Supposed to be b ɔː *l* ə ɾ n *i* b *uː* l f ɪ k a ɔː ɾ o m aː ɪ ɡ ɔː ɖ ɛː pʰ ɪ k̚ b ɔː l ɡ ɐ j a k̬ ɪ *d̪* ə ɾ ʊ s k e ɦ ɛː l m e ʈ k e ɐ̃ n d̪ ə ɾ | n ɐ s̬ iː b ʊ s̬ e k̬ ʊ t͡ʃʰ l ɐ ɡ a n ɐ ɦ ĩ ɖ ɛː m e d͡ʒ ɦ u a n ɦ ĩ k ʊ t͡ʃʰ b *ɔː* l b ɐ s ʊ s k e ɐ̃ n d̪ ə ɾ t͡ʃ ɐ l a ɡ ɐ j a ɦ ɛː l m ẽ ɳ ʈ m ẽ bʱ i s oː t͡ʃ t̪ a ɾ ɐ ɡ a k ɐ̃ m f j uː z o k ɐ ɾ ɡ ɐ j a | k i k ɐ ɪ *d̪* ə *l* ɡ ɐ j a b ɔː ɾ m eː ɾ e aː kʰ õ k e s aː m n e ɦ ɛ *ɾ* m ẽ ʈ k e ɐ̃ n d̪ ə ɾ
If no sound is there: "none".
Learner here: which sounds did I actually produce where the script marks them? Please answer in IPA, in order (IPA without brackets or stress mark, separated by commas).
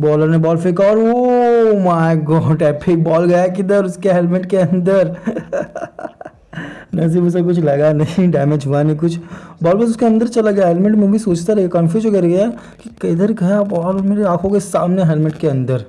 l, e, ɔː, d̪, ɔː, d̪, ɾ, l